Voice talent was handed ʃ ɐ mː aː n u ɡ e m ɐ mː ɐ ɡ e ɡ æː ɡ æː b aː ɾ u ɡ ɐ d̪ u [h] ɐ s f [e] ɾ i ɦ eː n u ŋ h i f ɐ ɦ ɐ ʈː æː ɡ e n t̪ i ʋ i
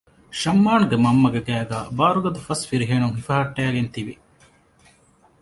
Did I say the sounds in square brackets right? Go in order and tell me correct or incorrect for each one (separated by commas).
incorrect, incorrect